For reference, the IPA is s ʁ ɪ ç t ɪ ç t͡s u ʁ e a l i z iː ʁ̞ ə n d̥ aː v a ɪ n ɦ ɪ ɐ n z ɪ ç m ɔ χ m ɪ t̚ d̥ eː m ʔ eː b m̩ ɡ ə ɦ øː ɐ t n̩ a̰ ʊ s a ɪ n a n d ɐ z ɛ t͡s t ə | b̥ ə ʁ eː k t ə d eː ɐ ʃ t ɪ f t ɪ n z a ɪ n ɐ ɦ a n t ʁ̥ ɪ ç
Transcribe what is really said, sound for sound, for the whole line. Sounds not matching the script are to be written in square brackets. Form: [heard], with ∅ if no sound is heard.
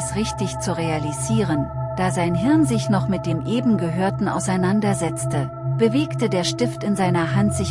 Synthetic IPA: s ʁ ɪ ç t ɪ ç t͡s u ʁ e a l i z iː ʁ̞ ə n d̥ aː [z] a ɪ n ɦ ɪ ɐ n z ɪ ç [n] ɔ χ m ɪ t̚ d̥ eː m ʔ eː b m̩ ɡ ə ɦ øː ɐ t n̩ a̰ ʊ s a ɪ n a n d ɐ z ɛ t͡s t ə | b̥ ə [v] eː k t ə d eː ɐ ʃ t ɪ f t ɪ n z a ɪ n ɐ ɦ a n t [z̥] ɪ ç